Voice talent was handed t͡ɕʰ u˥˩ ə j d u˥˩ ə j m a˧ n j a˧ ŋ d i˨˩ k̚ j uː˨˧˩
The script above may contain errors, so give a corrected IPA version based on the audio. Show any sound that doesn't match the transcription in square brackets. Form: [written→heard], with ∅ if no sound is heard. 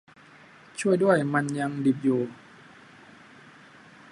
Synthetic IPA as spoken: t͡ɕʰ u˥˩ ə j d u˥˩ ə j m a˧ n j a˧ ŋ d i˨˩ [k̚→p̚] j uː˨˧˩